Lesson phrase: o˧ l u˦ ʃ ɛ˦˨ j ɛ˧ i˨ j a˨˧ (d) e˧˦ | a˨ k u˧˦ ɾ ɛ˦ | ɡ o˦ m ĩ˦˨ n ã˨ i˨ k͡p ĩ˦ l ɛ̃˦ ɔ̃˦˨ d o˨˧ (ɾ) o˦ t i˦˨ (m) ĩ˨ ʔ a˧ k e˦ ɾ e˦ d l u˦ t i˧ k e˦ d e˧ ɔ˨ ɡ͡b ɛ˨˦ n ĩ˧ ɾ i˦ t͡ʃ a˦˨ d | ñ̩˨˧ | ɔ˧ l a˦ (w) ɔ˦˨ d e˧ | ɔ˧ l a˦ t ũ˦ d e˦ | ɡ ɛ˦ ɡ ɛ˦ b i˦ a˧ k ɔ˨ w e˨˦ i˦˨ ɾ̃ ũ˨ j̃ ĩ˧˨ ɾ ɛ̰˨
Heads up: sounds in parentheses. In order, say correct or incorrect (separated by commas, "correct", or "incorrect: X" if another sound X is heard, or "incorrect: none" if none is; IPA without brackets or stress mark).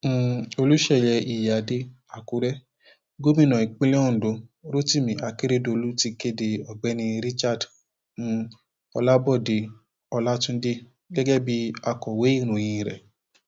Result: correct, correct, correct, incorrect: b